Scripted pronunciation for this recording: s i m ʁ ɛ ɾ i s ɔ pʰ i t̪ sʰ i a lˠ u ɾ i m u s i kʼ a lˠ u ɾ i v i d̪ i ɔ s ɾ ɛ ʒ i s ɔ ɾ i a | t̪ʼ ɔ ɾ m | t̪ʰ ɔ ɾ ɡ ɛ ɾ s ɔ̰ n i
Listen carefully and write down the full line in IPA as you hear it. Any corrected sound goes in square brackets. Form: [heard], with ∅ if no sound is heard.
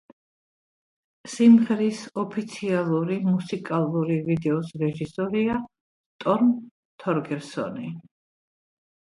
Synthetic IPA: s i m ʁ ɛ ɾ i s ɔ pʰ i t̪ sʰ i a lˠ u ɾ i m u s i kʼ a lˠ u ɾ i v i d̪ [ɛ] ɔ s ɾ ɛ ʒ i s ɔ ɾ i a | t̪ʼ ɔ ɾ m | t̪ʰ ɔ ɾ ɡ ɛ ɾ s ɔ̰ n i